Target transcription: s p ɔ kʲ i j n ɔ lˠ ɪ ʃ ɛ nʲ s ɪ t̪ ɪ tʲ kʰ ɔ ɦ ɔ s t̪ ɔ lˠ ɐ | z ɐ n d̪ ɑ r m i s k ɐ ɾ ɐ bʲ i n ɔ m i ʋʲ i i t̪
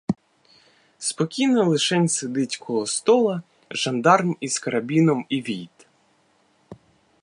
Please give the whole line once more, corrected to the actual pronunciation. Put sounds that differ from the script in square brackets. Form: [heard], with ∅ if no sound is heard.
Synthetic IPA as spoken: s p ɔ kʲ i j n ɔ lˠ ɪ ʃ ɛ nʲ s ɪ [d̪] ɪ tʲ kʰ ɔ ɦ ɔ s t̪ ɔ lˠ ɐ | [ʒ] ɐ n d̪ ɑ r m i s k ɐ ɾ ɐ bʲ i n ɔ m i ʋʲ i [j] t̪